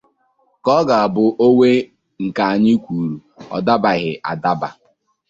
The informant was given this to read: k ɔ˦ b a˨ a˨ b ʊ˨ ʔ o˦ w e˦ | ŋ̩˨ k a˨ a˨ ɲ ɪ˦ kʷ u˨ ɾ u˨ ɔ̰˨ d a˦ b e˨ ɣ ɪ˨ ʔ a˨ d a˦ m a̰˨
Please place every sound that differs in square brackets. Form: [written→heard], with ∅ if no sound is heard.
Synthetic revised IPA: k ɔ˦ [b→ɡ] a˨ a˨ b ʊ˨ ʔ o˦ w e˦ | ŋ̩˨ k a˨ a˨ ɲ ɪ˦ kʷ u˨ ɾ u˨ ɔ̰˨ d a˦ b [e˨→a˨] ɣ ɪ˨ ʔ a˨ d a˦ [m→b] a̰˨